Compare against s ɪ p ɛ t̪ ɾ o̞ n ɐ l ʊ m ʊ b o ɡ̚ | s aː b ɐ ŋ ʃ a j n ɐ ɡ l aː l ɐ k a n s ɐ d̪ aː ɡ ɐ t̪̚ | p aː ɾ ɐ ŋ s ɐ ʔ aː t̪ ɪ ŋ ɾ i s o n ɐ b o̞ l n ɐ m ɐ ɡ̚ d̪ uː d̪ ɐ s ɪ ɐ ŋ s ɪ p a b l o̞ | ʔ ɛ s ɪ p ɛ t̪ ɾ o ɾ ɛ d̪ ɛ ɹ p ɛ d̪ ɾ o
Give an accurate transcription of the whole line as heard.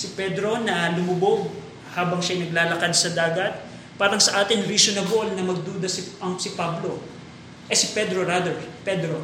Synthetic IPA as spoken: s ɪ p ɛ d̪ ɾ o̞ n ɐ l ʊ m ʊ b o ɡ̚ | h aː b ɐ ŋ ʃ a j n ɐ ɡ l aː l ɐ k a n s ɐ d̪ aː ɡ ɐ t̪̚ | p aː ɾ ɐ ŋ s ɐ ʔ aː t̪ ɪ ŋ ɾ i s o n ɐ b o̞ l n ɐ m ɐ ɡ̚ d̪ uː d̪ ɐ s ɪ ɐ ŋ s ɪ p a b l o̞ | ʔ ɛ s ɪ p ɛ d̪ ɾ o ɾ a d̪ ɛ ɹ p ɛ d̪ ɾ o